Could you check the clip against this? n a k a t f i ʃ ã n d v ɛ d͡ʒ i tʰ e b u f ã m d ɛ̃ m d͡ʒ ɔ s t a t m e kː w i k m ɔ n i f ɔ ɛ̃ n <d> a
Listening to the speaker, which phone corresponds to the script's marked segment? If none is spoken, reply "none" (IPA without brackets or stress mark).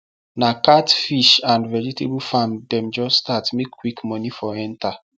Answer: t